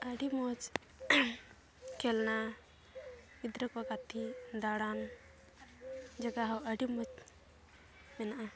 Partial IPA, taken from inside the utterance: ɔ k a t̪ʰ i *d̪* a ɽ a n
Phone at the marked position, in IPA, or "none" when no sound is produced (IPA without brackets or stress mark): d̪